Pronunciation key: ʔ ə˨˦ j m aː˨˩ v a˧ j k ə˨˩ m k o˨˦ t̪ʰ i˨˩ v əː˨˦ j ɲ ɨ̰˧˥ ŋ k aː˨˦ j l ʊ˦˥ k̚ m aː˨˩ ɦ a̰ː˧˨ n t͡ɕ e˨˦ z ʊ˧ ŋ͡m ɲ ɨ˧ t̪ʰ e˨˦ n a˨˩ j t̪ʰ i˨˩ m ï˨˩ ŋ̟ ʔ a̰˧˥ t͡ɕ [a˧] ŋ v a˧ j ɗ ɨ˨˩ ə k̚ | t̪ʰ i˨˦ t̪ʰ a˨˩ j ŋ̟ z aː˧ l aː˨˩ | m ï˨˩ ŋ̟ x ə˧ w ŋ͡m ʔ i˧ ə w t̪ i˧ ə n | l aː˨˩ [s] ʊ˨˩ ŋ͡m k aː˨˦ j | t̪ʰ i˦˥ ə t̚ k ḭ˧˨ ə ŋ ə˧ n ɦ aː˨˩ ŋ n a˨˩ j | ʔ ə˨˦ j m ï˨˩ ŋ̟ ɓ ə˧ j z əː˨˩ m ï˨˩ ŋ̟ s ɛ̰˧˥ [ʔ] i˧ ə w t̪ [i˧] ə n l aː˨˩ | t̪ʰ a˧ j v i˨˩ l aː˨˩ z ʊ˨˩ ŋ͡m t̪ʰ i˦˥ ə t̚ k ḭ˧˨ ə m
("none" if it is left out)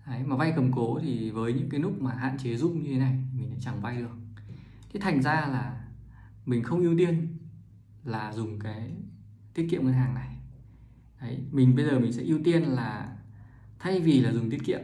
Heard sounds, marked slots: a˨˩, z, ʔ, i˧

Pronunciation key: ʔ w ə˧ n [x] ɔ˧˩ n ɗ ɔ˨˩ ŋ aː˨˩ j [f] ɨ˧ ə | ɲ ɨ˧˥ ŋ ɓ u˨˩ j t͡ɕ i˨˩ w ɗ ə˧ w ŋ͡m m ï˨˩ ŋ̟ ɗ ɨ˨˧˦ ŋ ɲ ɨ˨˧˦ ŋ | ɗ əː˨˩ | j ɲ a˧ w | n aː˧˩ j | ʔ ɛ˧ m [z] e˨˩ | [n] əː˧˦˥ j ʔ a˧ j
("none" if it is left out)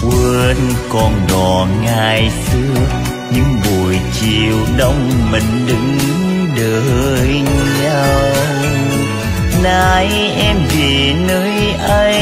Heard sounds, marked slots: k, s, v, n

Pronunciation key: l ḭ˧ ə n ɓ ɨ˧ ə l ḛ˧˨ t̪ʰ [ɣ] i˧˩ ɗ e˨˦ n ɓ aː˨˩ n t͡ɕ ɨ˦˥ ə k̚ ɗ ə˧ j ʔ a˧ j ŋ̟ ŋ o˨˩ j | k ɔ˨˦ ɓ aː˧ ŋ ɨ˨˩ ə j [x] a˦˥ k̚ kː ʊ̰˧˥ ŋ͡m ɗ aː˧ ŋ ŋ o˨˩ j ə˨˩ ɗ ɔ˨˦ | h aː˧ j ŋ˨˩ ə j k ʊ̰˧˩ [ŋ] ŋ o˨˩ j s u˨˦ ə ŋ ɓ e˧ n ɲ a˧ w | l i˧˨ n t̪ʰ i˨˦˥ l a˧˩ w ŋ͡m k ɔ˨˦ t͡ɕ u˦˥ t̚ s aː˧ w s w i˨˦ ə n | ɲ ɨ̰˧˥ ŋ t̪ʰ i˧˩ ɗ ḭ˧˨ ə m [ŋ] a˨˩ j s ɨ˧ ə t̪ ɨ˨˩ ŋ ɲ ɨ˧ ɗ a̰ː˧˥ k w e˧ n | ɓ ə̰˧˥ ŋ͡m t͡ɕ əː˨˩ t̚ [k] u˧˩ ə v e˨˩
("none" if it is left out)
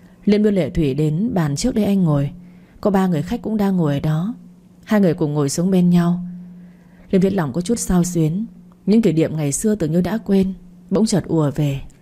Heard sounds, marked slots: w, x, ŋ͡m, ŋ, ʔ

